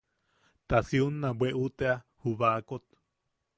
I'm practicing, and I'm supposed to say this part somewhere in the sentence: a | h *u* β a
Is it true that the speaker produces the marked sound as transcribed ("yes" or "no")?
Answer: yes